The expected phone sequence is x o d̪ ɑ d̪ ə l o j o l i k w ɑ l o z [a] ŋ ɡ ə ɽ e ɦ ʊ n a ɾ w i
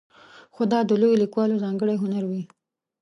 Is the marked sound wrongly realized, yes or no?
yes